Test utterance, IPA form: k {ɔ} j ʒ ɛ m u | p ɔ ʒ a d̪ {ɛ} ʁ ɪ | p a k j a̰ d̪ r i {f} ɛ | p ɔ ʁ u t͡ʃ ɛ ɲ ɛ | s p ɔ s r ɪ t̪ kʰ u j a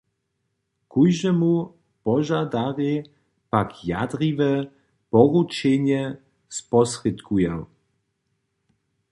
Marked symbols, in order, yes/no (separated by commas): no, no, no